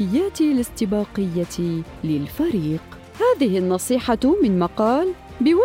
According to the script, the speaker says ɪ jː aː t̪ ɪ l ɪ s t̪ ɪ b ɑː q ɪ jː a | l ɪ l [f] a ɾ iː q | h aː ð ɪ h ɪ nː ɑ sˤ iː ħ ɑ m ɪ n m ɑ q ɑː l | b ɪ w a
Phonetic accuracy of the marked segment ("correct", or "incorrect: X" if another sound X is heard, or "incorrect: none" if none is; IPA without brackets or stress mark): correct